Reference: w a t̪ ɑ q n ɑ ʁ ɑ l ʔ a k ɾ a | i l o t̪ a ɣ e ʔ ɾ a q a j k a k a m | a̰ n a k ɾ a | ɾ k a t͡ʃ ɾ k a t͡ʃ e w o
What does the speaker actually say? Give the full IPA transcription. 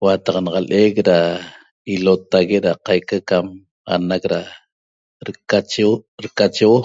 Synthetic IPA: w a t̪ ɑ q n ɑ ʁ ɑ l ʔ e k ɾ a | i l o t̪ a ɣ e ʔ ɾ a q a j k a k a m | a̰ n a k ɾ a | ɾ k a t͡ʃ ɾ k a t͡ʃ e w o